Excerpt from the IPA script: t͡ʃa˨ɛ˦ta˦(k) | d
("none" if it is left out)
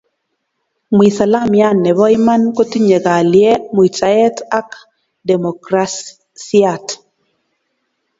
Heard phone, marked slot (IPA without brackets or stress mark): k